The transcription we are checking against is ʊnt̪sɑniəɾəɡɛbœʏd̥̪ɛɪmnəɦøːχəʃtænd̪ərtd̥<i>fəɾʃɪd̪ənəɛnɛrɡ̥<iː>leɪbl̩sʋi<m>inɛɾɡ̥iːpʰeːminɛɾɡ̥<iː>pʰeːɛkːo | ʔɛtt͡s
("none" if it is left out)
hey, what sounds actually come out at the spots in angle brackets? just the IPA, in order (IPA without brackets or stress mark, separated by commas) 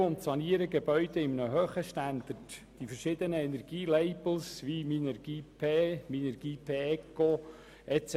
i, iː, m, iː